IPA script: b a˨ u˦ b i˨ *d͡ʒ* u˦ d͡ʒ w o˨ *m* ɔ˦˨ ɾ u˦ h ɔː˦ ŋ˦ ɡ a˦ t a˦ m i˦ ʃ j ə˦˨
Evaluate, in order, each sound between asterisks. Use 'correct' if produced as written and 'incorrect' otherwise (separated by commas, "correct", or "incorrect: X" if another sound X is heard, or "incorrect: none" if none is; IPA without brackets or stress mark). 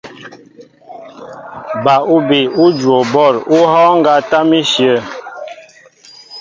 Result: incorrect: none, incorrect: b